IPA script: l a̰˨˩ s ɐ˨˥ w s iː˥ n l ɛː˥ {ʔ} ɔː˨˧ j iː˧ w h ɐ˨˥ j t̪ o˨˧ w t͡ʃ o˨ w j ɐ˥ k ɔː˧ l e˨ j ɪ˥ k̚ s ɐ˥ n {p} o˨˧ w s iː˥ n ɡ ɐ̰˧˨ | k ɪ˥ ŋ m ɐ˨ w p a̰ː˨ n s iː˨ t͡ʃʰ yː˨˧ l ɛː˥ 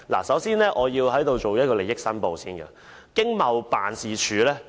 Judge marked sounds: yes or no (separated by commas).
yes, yes